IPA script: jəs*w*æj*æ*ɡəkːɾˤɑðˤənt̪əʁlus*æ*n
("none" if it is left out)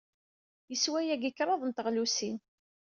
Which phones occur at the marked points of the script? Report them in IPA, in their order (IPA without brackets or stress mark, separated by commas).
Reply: w, æ, i